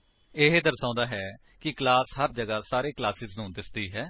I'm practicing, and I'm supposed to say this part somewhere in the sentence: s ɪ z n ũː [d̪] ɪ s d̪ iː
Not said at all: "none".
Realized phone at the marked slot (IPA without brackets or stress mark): d̪